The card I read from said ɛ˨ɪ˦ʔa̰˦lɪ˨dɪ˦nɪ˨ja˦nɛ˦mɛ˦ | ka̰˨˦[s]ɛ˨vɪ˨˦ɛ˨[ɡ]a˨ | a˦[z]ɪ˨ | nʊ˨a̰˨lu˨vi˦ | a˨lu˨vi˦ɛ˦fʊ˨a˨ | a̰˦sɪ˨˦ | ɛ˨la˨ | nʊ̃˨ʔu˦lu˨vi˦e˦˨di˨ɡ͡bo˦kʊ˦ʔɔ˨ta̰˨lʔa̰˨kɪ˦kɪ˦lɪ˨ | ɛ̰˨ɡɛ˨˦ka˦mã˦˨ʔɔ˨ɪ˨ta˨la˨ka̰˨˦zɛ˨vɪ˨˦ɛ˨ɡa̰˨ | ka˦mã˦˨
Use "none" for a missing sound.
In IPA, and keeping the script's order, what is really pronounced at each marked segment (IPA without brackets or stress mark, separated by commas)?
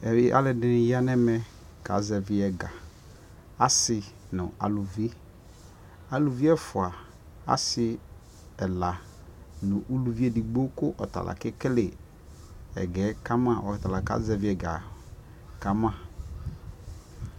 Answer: z, ɡ, s